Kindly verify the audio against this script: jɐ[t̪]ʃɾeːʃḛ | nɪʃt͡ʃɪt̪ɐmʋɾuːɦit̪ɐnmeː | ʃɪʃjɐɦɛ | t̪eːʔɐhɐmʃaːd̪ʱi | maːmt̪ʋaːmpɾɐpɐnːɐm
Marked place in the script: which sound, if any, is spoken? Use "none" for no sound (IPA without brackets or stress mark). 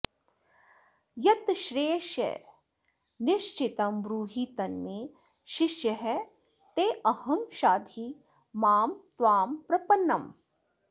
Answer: t̪